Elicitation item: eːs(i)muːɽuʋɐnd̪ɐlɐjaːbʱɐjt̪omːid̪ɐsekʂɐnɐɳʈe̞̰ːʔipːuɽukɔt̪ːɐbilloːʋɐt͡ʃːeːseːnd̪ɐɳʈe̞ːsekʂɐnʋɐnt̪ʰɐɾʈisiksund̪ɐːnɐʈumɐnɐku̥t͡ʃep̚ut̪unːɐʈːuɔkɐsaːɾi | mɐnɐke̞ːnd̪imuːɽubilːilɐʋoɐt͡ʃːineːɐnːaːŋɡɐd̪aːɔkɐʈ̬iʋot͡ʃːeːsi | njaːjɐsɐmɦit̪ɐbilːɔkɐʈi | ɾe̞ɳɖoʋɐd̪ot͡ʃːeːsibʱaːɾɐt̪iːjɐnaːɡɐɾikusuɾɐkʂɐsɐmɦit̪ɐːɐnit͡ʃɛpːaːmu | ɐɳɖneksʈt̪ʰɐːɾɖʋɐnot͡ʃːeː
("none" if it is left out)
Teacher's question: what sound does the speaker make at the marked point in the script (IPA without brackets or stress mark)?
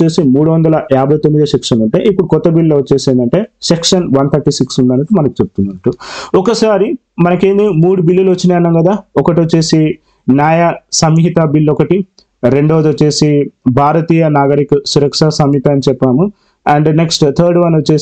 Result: i